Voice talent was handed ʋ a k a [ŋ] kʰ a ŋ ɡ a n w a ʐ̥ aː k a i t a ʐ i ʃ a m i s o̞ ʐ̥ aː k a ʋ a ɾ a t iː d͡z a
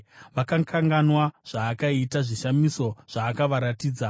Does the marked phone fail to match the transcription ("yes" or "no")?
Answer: no